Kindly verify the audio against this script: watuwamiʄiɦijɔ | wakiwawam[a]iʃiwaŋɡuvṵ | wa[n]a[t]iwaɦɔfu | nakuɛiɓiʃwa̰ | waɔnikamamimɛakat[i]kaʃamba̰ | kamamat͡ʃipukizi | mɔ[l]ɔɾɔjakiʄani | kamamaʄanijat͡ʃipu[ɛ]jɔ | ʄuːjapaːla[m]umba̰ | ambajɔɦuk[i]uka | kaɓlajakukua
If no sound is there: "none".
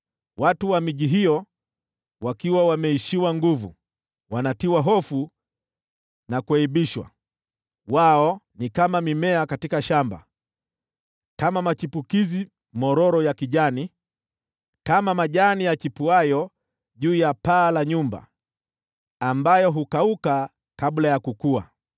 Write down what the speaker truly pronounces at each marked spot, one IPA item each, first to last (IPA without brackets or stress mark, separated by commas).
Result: ɛ, n, t, i, ɾ, a, ɲ, a